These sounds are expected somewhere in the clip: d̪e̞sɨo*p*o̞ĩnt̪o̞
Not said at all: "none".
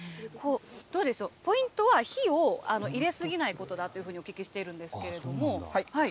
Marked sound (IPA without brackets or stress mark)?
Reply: p